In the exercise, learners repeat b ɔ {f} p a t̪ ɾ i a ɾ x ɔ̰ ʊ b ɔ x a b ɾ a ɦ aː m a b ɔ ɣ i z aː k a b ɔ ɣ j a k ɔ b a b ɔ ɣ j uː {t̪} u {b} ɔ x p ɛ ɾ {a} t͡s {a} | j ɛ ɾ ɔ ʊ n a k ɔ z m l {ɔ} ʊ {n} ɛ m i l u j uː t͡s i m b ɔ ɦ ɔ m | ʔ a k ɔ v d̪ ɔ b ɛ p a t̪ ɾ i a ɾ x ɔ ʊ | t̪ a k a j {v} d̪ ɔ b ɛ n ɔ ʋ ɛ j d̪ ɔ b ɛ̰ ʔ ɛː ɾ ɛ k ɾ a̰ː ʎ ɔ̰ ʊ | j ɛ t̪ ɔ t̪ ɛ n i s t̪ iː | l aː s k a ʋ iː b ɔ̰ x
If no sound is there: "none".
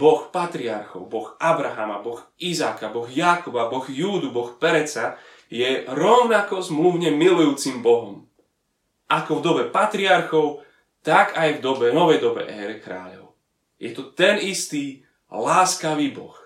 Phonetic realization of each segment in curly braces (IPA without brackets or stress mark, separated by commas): x, d̪, b, ɛ, a, u, ɲ, v